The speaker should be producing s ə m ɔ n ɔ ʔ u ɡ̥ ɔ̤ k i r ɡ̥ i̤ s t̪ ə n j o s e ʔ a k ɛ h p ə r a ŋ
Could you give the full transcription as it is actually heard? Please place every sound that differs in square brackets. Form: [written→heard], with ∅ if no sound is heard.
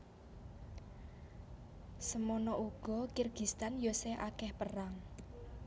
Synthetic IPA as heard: s ə m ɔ n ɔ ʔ u ɡ̥ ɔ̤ k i r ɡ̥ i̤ s t̪ [ə→a] n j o s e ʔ a k ɛ h p ə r a ŋ